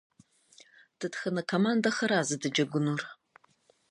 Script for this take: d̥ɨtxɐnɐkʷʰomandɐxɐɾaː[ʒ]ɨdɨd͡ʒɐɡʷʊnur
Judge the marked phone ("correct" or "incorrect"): incorrect